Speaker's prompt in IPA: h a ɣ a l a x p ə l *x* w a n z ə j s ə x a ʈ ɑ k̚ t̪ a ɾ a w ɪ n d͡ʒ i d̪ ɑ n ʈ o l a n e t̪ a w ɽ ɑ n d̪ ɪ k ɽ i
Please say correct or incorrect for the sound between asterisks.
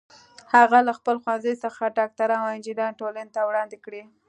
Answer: correct